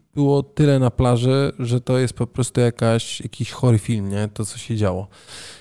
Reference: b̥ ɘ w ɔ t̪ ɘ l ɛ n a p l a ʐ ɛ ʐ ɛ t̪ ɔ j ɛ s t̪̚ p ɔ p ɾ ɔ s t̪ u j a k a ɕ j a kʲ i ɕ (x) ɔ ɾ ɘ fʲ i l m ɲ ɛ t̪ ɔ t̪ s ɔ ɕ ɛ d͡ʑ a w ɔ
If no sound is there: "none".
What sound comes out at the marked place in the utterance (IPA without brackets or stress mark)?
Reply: x